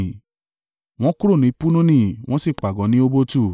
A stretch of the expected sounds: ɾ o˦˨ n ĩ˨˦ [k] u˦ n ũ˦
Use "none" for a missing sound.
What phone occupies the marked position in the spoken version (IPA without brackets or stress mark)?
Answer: p